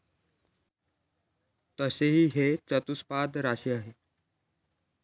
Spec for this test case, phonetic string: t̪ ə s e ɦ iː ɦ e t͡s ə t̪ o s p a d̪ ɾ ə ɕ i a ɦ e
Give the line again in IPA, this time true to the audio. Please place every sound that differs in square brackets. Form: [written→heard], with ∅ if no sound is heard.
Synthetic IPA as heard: t̪ ə s e ɦ iː ɦ e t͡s ə t̪ [o→u] s p a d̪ ɾ [ə→a] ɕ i a ɦ e